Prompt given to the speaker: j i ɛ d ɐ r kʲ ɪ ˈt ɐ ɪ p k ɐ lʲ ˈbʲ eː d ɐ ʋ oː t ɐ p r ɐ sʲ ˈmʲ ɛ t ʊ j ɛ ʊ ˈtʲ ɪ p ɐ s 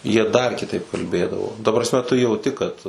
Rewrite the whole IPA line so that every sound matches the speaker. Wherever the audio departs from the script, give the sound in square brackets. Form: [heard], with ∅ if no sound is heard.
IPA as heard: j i ɛ d ɐ r kʲ ɪ ˈt ɐ ɪ p k ɐ lʲ ˈbʲ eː d ɐ ʋ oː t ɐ p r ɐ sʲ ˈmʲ ɛ t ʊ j ɛ ʊ ˈtʲ ɪ [k] ɐ [t]